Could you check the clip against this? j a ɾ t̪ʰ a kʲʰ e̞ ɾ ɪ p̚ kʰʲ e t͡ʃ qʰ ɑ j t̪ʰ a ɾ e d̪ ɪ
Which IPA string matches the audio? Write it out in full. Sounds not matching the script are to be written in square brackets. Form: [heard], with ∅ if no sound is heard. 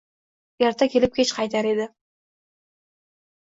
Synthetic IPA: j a ɾ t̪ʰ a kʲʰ e̞ [l] ɪ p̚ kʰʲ e t͡ʃ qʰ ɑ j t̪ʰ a ɾ e d̪ ɪ